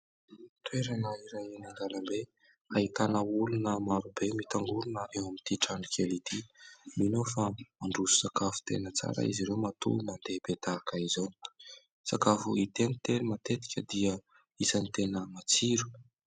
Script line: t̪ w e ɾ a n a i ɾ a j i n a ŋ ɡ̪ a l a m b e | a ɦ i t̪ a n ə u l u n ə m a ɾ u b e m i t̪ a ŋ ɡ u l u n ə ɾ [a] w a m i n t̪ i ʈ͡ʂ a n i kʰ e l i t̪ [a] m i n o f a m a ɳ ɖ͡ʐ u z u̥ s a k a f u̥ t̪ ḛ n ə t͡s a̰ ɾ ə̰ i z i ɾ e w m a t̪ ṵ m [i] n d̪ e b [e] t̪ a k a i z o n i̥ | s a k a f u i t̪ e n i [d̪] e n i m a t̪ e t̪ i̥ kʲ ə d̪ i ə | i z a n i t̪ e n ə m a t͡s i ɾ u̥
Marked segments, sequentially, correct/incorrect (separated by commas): incorrect, incorrect, incorrect, correct, incorrect